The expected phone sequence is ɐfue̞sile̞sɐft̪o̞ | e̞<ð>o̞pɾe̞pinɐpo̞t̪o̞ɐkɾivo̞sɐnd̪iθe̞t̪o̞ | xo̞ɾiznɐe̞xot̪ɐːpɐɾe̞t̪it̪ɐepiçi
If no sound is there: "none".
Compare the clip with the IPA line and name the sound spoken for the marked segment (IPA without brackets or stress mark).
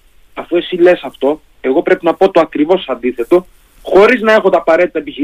ɣ